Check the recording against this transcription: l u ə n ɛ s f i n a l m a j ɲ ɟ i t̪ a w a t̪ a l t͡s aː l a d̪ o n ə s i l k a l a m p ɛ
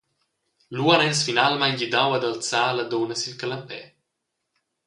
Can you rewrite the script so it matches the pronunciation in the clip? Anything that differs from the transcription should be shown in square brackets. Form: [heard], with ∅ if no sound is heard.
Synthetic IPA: l u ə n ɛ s f i n a l m a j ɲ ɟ i [d̪] a w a [d̪] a l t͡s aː l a d̪ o n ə s i l k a l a m p ɛ